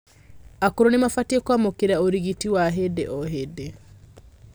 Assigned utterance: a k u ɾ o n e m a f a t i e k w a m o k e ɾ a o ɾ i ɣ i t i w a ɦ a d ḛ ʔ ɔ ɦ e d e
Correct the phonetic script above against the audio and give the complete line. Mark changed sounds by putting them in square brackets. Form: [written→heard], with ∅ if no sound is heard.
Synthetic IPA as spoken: a k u ɾ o n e m a f a t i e k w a m o k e ɾ a o ɾ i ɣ i t i w a ɦ [a→e] d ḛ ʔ ɔ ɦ e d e